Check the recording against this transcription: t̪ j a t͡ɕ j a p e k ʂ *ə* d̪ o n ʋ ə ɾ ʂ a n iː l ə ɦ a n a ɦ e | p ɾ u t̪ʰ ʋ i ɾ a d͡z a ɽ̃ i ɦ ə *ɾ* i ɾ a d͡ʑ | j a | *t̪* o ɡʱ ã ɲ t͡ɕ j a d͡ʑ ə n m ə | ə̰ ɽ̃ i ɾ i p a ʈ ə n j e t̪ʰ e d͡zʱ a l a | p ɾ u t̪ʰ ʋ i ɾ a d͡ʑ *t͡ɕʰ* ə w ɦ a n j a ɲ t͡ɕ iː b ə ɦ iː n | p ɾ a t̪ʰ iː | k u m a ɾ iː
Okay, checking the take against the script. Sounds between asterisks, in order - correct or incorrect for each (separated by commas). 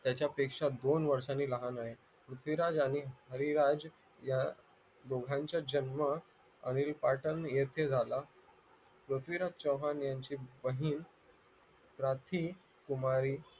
incorrect, correct, incorrect, incorrect